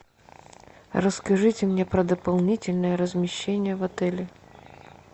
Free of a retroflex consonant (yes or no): no